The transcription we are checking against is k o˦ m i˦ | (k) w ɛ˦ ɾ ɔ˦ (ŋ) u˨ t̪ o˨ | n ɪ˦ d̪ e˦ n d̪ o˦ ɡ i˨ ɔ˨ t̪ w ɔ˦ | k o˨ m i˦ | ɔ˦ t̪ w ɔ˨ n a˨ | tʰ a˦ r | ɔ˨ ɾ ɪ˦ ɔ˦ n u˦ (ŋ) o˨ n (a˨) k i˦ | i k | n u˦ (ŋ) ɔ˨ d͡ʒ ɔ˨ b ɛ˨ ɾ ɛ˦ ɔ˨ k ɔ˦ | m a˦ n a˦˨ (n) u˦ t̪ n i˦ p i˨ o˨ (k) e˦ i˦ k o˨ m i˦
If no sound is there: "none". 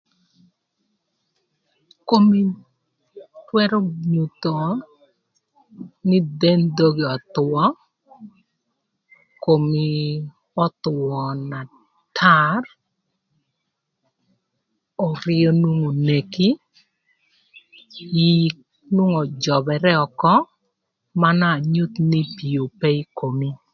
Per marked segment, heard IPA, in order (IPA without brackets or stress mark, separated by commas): t, ɲ, ŋ, e˨, ŋ, ɲ, p